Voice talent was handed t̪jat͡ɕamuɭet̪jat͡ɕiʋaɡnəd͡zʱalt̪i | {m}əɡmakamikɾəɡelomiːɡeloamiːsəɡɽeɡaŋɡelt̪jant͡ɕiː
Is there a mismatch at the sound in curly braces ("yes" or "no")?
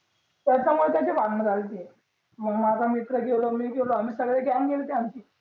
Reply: no